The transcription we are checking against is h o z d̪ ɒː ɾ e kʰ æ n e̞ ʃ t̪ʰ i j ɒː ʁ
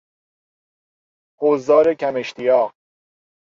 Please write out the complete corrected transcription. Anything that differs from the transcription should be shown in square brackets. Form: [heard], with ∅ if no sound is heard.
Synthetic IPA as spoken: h o z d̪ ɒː ɾ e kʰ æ [m] e̞ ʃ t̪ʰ i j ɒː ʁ